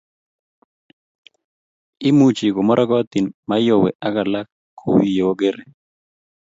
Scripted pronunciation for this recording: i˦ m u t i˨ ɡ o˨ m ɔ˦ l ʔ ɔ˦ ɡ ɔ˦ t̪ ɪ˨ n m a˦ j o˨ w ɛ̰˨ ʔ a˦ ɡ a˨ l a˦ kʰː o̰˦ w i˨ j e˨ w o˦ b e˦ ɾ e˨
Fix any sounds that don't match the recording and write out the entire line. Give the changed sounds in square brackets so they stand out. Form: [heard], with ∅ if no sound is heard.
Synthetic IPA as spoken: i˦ m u [t͡ʃ] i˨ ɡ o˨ m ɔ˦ [ɾ] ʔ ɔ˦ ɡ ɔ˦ t̪ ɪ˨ n m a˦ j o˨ w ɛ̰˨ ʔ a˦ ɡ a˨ l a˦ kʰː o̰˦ w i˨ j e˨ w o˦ [ɡ] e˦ ɾ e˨